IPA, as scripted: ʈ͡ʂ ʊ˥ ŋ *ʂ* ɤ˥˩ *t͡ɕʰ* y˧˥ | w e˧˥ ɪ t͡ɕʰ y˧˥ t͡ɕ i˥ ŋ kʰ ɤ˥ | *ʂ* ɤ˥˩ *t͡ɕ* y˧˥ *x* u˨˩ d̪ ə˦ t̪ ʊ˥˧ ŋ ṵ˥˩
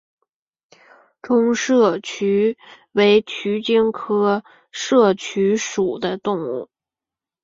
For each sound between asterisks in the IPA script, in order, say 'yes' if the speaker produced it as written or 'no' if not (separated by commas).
yes, yes, yes, no, no